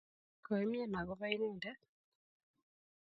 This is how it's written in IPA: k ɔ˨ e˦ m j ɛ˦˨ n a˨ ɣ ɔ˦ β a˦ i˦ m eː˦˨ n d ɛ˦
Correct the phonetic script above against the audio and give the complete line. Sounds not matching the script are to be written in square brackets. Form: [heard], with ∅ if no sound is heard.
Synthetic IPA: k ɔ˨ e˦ m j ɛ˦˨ n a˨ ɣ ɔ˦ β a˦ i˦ [n] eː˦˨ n d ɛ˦